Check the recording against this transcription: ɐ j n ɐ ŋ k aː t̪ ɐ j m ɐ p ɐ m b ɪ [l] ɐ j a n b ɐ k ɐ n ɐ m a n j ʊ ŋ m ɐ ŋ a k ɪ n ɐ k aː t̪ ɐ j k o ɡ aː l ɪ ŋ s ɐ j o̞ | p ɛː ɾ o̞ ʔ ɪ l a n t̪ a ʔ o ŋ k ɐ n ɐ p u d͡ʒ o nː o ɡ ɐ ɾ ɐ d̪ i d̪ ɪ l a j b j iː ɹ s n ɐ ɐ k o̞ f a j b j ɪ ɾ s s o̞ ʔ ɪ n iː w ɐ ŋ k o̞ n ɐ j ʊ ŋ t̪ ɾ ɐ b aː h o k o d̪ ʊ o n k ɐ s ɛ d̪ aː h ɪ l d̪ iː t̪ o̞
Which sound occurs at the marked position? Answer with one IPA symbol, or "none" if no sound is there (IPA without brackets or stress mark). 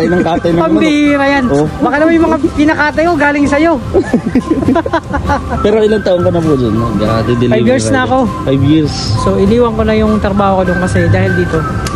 ɾ